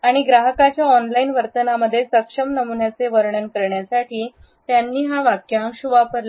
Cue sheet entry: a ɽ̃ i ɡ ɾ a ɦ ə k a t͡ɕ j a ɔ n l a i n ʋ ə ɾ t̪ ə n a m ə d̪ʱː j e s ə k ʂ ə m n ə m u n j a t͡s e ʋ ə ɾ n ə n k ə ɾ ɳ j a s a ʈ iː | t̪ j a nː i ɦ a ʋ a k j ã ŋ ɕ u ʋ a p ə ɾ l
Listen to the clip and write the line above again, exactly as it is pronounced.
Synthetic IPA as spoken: a ɽ̃ i ɡ ɾ a ɦ ə k a t͡ɕ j a ɔ n l a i n ʋ ə ɾ t̪ ə n a m ə d̪ʱː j e s ə k ʂ ə m n ə m u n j a t͡s e ʋ ə ɾ ɳ ə n k ə ɾ ɳ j a s a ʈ iː | t̪ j a nː iː ɦ a ʋ a k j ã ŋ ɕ u ʋ a p ə ɾ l